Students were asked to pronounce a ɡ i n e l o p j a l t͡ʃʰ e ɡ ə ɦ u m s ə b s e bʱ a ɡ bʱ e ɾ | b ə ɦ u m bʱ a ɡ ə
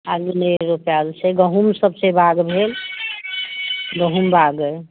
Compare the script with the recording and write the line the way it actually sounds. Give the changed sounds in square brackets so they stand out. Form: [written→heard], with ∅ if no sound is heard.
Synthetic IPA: a ɡ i n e [l→ɾ] o p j a l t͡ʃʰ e ɡ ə ɦ u m s ə b s e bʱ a ɡ bʱ e [ɾ→l] | [b→ɡ] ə ɦ u m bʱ a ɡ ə